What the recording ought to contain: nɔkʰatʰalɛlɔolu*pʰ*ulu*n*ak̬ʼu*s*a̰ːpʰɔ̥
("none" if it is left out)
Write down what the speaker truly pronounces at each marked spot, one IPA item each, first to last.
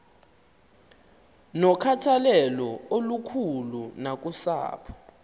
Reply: kʰ, n, s

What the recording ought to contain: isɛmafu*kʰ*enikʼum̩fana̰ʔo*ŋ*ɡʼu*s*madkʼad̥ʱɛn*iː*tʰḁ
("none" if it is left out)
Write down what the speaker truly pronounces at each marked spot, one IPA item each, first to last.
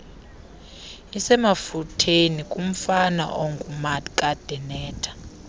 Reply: tʰ, ŋ, none, ɛː

